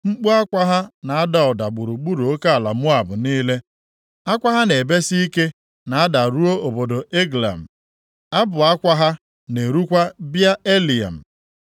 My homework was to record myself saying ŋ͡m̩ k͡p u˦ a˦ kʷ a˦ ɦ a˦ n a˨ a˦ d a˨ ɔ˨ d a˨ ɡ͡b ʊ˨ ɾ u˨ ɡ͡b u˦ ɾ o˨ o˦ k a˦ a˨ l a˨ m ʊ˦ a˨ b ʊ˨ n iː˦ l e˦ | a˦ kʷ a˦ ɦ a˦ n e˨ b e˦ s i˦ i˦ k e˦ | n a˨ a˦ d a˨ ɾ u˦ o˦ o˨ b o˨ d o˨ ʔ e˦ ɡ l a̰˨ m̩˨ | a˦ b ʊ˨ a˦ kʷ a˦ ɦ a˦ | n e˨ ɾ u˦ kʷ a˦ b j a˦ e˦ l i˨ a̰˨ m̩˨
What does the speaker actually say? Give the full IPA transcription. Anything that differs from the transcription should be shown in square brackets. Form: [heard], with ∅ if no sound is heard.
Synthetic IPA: ŋ͡m̩ k͡p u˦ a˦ kʷ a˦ ɦ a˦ n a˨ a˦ d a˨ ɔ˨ d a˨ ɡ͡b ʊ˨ ɾ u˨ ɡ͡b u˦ ɾ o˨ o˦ k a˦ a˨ l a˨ m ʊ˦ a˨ b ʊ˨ n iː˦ l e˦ | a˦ kʷ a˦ ɦ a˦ n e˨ b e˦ s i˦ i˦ k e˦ | n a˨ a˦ d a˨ ɾ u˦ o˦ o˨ b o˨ d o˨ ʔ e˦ ɡ l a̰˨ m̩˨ | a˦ b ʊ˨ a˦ kʷ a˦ ɦ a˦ | n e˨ ɾ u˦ kʷ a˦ b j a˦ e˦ l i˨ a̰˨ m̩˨